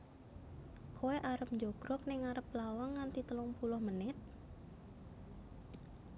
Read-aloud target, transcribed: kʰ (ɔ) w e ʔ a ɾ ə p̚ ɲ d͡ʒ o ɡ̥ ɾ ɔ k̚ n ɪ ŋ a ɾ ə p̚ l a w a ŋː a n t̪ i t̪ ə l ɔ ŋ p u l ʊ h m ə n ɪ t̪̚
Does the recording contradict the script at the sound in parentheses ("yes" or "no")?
yes